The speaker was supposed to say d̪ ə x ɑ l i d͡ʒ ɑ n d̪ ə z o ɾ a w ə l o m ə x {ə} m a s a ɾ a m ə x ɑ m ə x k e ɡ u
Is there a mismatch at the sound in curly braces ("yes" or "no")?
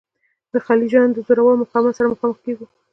yes